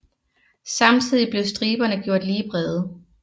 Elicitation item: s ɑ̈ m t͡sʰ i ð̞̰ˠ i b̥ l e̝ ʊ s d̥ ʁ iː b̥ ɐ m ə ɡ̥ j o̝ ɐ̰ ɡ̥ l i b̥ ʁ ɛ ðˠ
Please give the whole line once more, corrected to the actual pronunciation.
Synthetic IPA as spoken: s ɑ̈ m t͡sʰ i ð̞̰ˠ i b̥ l e̝ ʊ s d̥ ʁ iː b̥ ɐ n ə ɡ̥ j o̝ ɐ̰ d̥ l iː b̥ ʁ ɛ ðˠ